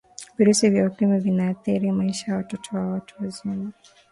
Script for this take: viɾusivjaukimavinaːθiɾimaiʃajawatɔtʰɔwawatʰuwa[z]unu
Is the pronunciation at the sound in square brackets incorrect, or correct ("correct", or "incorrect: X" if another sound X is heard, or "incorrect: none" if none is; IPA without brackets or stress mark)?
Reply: correct